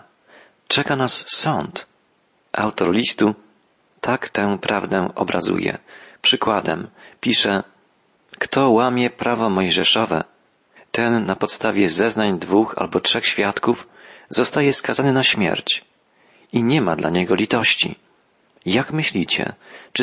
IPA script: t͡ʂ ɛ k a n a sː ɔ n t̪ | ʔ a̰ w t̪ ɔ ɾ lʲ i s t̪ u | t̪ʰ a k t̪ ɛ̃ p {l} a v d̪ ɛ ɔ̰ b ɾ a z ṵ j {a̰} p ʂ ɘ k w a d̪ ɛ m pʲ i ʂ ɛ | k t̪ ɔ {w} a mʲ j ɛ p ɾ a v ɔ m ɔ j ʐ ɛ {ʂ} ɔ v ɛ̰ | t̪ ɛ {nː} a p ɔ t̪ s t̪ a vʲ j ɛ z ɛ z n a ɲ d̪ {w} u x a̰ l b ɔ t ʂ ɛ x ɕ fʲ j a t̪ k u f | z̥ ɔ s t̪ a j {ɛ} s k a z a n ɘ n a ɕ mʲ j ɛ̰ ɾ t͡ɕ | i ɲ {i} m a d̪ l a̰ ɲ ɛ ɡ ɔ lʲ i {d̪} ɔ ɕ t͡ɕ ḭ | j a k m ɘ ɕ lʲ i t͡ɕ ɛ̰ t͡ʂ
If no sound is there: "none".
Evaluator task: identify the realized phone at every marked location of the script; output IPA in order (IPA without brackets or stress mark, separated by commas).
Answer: ɾ, ɛ̰, w, ʂ, nː, v, ɛ, ɛ, t̪